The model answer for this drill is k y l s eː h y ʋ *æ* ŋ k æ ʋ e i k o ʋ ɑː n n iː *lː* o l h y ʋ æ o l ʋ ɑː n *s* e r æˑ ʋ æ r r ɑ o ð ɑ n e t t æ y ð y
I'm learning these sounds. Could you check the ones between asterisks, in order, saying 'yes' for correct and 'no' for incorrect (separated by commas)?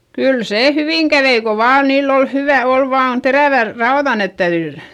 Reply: no, yes, no